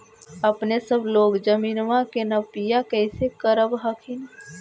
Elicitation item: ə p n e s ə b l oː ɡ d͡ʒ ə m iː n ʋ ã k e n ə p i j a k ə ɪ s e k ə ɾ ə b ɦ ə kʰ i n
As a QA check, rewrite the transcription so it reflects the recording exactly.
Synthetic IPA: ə p n e s ə b l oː ɡ d͡ʒ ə m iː n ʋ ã k e n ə p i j a k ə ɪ s e k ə ɾ ə b ɦ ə kʰ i n